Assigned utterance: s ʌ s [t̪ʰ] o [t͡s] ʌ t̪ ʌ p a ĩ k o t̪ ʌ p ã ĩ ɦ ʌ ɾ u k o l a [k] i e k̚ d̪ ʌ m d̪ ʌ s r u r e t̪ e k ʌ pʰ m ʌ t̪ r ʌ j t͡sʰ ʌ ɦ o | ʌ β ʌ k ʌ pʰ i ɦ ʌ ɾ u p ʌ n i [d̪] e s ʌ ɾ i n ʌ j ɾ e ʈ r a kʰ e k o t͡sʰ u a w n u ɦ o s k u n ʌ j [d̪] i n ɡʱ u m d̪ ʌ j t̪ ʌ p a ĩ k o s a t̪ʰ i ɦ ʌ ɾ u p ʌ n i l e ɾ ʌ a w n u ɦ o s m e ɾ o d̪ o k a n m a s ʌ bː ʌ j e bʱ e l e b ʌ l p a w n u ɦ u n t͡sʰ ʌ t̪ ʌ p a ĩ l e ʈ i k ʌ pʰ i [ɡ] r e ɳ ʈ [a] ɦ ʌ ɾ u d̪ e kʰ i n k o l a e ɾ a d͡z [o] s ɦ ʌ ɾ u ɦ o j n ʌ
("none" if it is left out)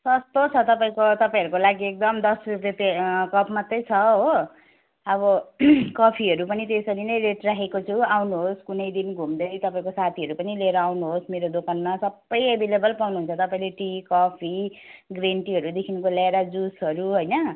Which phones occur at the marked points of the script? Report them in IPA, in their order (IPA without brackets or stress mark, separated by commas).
t̪, t͡sʰ, ɡ, t̪, d̪, ɡ, i, u